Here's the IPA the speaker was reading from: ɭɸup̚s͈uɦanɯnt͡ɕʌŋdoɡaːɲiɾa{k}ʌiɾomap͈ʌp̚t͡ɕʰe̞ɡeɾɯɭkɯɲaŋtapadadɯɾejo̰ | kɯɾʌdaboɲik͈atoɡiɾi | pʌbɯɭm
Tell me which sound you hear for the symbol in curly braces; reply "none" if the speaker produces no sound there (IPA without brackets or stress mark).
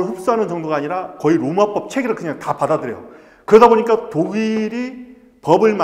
k